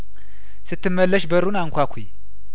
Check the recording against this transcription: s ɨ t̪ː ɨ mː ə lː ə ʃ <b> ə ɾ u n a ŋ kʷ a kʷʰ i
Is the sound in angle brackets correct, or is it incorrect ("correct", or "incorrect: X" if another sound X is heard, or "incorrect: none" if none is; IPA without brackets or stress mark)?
correct